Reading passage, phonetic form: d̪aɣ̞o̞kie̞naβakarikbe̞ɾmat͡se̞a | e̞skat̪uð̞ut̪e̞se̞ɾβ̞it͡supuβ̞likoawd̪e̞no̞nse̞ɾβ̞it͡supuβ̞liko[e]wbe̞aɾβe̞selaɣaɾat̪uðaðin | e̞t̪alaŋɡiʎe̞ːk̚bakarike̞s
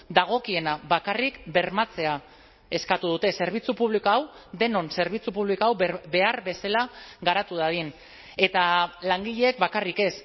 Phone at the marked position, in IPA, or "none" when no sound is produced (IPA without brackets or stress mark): a